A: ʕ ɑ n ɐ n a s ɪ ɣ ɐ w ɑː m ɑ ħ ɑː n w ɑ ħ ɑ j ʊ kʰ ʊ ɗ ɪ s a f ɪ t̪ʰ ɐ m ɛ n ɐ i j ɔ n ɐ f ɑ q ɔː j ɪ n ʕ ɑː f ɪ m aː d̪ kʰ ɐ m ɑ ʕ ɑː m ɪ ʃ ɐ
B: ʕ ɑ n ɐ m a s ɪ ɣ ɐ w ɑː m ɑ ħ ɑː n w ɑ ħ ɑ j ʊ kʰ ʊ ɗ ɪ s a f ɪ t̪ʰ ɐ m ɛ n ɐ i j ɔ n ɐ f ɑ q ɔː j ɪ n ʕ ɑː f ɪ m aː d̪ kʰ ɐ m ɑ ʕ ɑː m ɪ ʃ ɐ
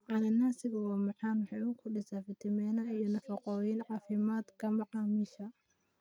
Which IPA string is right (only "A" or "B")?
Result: A